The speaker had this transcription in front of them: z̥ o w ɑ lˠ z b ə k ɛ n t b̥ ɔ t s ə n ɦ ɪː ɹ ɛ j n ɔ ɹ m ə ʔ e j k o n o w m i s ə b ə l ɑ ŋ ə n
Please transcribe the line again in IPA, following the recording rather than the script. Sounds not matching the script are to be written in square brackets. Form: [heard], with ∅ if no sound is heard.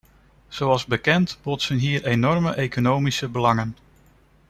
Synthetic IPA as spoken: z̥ o w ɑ lˠ z b ə k ɛ n t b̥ ɔ t s ə n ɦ [iː] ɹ [e] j n ɔ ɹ m ə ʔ e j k o n o w m i s ə b ə l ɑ ŋ ə n